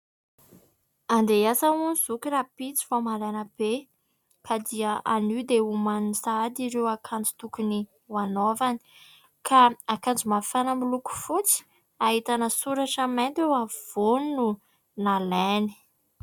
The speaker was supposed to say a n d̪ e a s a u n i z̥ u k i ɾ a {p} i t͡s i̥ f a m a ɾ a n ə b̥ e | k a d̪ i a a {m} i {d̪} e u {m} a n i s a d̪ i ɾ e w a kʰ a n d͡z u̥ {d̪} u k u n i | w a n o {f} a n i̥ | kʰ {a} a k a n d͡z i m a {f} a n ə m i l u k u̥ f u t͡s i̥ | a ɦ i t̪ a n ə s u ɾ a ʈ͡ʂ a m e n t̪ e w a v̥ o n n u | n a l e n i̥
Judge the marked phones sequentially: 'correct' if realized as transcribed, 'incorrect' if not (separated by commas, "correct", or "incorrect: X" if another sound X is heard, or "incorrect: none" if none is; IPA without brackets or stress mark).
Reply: correct, incorrect: n, correct, correct, incorrect: t̪, incorrect: v, correct, correct